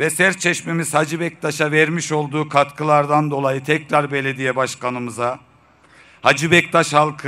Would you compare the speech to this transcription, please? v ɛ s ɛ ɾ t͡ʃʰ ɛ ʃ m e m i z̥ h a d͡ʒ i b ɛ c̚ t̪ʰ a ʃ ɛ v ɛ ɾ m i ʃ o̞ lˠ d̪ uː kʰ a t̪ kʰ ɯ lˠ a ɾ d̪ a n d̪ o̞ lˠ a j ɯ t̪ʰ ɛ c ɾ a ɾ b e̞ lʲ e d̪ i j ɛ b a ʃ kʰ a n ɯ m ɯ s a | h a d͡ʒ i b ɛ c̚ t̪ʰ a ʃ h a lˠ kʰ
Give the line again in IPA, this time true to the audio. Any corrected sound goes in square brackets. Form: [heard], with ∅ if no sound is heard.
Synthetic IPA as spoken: v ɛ s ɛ ɾ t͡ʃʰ ɛ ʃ m e m i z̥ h a d͡ʒ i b ɛ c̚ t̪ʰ a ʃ [a] v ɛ ɾ m i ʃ o̞ lˠ d̪ uː kʰ a t̪ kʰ ɯ lˠ a ɾ d̪ a n d̪ o̞ lˠ a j ɯ t̪ʰ ɛ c ɾ a ɾ b e̞ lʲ e d̪ i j ɛ b a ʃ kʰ a n ɯ m ɯ [z] a | h a d͡ʒ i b ɛ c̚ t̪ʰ a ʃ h a lˠ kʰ